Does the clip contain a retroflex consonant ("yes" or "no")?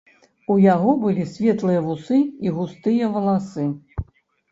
no